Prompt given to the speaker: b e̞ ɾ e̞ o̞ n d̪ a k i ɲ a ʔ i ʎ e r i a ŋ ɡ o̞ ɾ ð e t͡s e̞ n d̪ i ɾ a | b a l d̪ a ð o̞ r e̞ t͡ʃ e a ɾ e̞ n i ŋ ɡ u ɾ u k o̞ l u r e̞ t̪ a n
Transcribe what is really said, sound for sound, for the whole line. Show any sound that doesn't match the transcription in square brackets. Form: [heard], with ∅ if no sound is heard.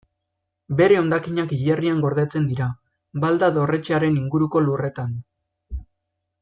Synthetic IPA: b e̞ ɾ e̞ o̞ n d̪ a k i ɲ a [k] i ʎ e r i a ŋ ɡ o̞ ɾ ð e t͡s e̞ n d̪ i ɾ a | b a l d̪ a ð o̞ r e̞ t͡ʃ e a ɾ e̞ n i ŋ ɡ u ɾ u k o̞ l u r e̞ t̪ a n